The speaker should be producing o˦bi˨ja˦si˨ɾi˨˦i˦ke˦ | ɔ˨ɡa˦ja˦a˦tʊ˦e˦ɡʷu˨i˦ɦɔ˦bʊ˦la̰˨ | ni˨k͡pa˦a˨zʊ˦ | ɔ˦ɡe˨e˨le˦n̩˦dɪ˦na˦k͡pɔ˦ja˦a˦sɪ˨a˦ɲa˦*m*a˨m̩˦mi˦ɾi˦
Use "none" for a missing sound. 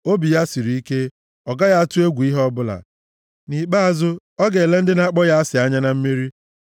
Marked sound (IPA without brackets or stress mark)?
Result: n